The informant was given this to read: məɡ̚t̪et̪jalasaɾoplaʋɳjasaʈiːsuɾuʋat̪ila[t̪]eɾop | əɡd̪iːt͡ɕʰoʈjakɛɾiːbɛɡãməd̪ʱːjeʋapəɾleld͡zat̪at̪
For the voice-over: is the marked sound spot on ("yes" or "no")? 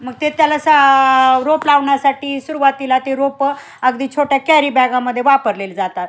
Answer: yes